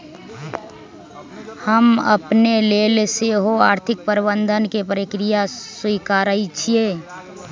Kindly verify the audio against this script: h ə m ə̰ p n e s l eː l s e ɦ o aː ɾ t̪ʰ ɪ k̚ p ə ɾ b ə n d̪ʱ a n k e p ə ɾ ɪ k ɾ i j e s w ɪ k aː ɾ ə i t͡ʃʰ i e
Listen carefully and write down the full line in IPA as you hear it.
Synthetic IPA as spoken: h ə m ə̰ p n e l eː l s e ɦ o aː ɾ t̪ʰ ɪ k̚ p ə ɾ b ə n d̪ʱ ə n k e p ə ɾ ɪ k ɾ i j a s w i k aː ɾ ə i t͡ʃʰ i e